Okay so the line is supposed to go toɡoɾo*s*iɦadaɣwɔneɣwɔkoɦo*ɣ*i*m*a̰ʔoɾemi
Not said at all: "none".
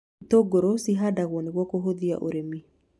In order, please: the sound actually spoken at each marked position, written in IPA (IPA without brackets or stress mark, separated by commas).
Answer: s, ð, none